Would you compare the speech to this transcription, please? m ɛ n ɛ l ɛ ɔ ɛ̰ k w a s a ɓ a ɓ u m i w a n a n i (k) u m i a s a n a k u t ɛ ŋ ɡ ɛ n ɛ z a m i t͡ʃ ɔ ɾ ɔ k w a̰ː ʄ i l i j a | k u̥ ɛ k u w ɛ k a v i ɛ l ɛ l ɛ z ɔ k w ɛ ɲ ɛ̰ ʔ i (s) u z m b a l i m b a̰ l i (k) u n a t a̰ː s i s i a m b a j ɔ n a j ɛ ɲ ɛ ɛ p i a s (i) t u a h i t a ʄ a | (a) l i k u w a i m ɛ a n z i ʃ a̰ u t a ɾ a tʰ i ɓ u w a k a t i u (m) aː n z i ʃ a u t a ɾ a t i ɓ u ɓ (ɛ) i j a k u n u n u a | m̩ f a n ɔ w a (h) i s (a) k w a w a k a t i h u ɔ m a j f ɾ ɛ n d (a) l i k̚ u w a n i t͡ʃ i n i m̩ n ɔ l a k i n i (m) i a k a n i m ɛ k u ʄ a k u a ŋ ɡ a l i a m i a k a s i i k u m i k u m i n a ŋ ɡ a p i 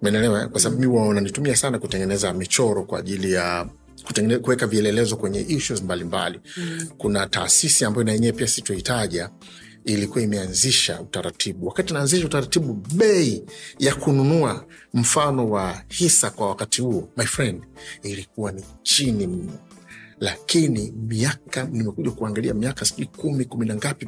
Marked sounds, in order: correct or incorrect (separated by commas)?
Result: incorrect, incorrect, correct, correct, incorrect, incorrect, correct, correct, correct, incorrect, correct